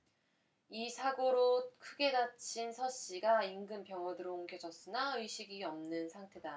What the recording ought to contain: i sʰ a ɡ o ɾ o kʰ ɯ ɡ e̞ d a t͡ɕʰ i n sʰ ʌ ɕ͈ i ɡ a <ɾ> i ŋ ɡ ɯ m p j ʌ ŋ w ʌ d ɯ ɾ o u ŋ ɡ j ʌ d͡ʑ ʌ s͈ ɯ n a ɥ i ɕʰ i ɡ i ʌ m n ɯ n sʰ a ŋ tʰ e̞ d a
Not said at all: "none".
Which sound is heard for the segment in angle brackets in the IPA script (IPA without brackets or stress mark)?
none